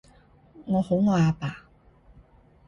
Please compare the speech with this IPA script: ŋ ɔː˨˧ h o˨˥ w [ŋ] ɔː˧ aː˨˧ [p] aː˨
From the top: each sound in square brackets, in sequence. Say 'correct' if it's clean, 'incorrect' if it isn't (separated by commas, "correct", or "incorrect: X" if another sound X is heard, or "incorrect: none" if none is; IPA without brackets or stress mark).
correct, correct